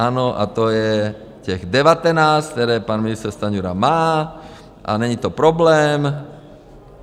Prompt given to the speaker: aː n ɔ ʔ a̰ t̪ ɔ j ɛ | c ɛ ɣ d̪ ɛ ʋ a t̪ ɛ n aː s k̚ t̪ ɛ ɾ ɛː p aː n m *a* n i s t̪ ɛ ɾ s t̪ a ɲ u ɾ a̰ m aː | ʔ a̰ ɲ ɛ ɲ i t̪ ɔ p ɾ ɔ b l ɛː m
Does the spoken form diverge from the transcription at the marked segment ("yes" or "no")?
yes